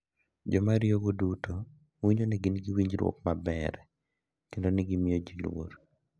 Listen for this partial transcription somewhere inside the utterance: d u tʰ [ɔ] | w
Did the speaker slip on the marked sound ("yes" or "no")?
yes